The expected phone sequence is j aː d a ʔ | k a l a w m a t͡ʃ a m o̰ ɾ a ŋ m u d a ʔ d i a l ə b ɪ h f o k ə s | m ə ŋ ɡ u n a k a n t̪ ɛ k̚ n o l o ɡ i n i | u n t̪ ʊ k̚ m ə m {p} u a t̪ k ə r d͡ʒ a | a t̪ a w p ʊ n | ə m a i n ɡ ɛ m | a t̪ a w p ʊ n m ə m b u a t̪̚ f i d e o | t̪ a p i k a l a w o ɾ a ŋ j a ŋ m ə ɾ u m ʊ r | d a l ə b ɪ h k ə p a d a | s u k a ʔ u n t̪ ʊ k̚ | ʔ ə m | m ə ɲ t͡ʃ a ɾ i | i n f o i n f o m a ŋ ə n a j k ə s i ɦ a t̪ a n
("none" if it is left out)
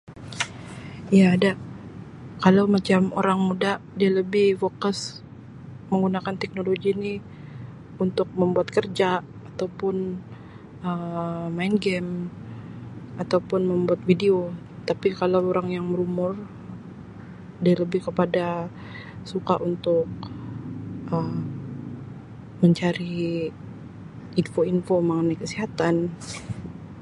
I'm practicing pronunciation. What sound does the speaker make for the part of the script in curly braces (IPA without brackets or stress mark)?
b